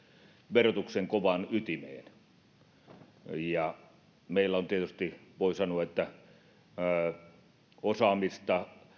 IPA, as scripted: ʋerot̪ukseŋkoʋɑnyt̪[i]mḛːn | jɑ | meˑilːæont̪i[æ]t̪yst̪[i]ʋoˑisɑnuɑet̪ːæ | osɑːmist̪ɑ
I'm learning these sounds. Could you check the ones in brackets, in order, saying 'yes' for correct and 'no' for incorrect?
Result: yes, no, yes

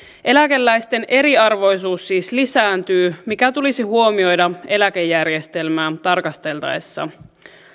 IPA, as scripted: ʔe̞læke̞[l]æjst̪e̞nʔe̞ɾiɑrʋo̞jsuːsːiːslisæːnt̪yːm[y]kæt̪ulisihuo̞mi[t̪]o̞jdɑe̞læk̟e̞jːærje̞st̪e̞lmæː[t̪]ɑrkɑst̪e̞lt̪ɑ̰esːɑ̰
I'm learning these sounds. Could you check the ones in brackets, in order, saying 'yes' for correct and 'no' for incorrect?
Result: no, no, no, yes

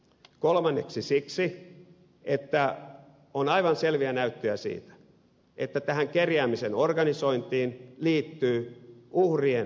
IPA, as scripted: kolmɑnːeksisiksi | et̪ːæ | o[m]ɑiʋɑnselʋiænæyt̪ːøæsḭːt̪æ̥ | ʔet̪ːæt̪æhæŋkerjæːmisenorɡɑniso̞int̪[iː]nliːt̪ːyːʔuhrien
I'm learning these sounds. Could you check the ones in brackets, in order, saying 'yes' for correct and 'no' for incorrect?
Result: no, yes

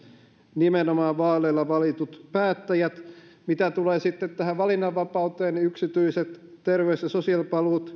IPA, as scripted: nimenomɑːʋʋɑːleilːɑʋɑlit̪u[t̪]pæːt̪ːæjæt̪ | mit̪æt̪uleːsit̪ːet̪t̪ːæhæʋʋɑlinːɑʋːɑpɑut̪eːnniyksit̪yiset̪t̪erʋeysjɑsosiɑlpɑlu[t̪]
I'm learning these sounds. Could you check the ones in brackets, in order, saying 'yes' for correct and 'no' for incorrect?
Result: yes, yes

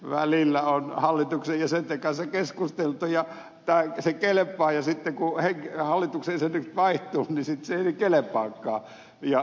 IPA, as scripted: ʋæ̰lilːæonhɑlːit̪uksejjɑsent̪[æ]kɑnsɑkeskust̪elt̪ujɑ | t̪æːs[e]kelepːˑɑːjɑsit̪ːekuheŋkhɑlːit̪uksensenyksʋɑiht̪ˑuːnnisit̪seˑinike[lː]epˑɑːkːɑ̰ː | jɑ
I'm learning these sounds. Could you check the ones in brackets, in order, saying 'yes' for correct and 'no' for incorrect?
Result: no, yes, no

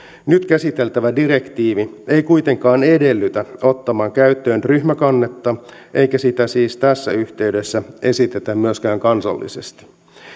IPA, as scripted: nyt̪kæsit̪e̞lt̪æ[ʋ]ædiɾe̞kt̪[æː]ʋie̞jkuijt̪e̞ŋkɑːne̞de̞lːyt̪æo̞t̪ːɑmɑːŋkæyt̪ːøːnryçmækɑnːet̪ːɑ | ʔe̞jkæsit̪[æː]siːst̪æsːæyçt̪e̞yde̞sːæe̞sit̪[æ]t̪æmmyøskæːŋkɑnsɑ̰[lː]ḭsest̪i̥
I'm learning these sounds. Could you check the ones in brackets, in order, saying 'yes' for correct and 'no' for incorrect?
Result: yes, no, no, no, yes

